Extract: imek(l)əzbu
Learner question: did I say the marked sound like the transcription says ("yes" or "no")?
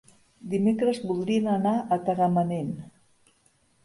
no